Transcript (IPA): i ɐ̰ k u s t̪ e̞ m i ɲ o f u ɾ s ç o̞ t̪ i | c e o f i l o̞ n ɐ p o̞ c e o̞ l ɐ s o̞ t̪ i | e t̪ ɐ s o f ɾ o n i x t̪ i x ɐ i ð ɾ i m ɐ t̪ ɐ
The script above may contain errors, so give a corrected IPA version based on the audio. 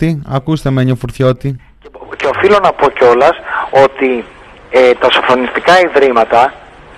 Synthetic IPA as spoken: i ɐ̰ k u s t̪ e̞ m e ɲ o f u ɾ θ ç o̞ t̪ i | c e o f i l o̞ n ɐ p o̞ c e o̞ l ɐ s o̞ t̪ i | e t̪ ɐ s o f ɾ o n i s t̪ i k ɐ i ð ɾ i m ɐ t̪ ɐ